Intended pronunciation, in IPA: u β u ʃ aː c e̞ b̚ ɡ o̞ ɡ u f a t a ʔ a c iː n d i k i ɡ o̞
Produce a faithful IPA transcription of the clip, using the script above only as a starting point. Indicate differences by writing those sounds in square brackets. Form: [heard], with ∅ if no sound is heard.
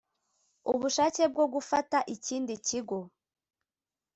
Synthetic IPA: u β u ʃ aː c e̞ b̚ ɡ o̞ ɡ u f a t a ʔ [i] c iː n d i [c] i ɡ o̞